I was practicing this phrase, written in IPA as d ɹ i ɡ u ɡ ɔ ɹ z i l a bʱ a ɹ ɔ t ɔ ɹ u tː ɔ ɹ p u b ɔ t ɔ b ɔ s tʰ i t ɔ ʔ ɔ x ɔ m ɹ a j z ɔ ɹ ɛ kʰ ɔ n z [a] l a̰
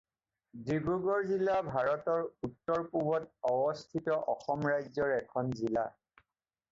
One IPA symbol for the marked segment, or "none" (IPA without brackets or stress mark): i